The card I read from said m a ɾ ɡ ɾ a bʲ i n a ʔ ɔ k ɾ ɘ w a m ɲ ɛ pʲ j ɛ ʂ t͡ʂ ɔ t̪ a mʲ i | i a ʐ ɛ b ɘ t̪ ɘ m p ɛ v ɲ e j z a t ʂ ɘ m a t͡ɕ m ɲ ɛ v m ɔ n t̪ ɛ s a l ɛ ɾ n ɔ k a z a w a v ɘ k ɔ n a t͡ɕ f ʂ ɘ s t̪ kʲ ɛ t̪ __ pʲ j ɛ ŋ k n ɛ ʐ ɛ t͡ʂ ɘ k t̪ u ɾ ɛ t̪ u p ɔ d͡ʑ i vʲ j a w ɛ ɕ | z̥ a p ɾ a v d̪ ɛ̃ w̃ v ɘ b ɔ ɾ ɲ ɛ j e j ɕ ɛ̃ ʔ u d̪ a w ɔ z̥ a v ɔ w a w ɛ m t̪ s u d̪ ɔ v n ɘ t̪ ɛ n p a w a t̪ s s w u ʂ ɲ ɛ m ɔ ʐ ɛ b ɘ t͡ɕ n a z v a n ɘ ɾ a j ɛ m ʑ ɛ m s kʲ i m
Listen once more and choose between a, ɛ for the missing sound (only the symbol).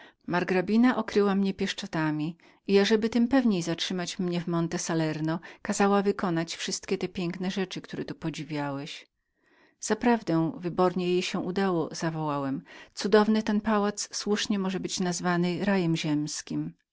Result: ɛ